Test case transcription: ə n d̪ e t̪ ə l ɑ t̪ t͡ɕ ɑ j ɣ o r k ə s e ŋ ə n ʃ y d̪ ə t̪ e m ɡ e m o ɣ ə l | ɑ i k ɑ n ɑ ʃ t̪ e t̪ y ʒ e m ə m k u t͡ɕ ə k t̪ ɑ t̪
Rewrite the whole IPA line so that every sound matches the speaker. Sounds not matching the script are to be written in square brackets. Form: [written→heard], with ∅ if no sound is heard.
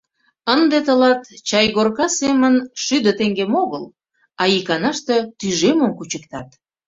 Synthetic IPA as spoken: ə n d̪ e t̪ ə l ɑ t̪ t͡ɕ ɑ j ɣ o r k [ə→ɑ] s e [ŋ→m] ə n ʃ y d̪ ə t̪ e [m→ŋ] ɡ e m o ɣ ə l | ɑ i k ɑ n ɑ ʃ t̪ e t̪ y ʒ e m ə m k u t͡ɕ ə k t̪ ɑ t̪